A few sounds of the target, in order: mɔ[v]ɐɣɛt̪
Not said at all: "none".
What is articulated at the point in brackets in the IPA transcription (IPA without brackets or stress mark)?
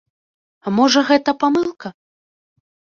ʐ